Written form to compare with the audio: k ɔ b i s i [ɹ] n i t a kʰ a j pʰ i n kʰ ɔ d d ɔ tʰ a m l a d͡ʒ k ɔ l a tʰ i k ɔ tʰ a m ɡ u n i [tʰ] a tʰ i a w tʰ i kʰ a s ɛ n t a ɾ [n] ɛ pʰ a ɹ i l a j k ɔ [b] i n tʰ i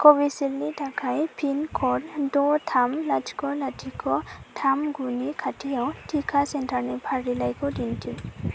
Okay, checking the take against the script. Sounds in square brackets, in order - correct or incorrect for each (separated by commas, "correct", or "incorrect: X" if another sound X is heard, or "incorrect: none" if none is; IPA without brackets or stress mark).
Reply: incorrect: l, incorrect: kʰ, correct, incorrect: d